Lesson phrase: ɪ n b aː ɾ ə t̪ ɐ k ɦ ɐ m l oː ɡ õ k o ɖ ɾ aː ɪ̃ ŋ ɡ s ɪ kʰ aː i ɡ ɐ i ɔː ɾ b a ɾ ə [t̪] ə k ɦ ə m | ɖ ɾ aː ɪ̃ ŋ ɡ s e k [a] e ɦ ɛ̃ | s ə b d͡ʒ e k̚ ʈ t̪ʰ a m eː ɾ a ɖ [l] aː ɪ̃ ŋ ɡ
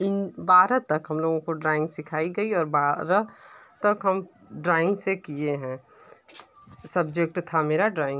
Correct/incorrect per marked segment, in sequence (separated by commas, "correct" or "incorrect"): correct, incorrect, incorrect